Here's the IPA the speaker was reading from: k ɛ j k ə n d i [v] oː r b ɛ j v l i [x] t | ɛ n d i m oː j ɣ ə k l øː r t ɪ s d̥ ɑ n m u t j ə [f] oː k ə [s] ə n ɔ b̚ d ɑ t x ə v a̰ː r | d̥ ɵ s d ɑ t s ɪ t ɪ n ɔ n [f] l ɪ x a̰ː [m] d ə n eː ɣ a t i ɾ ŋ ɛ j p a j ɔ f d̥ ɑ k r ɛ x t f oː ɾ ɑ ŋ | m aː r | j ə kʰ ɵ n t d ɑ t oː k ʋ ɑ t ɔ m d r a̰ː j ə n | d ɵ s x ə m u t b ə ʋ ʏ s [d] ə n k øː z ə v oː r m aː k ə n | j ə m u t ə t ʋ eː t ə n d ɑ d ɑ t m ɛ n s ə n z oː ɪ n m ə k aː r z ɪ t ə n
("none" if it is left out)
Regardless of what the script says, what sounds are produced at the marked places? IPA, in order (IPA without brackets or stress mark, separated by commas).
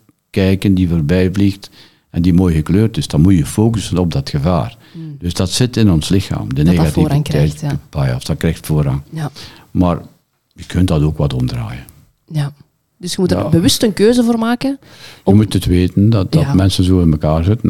v, x, f, s, s, m, t